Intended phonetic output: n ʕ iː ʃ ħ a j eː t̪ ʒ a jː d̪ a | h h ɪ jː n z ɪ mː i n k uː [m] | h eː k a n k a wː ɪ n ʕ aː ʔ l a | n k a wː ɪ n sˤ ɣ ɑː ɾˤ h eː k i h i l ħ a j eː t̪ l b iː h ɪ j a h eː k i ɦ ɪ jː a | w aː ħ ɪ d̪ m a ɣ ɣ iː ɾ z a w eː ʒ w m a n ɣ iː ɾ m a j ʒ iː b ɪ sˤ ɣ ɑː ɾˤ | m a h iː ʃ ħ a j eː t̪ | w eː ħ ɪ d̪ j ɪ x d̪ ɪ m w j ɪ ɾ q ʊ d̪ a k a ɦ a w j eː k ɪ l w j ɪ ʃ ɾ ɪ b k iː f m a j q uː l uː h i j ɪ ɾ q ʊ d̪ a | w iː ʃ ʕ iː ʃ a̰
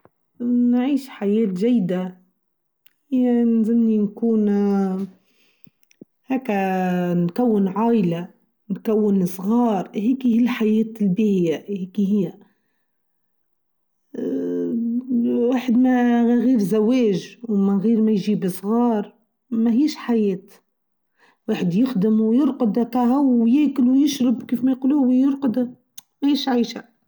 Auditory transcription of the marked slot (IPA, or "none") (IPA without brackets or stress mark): n